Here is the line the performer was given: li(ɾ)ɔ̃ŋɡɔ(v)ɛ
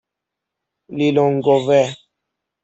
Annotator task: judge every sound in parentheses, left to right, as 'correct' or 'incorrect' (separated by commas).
incorrect, correct